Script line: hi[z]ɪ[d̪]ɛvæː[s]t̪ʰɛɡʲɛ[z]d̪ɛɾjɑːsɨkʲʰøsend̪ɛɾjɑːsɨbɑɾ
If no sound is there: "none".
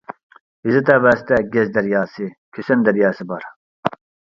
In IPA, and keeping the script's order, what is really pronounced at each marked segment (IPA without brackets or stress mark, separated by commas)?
z, t̪, s, z